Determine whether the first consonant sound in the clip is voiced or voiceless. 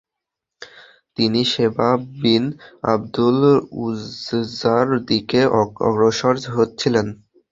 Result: voiceless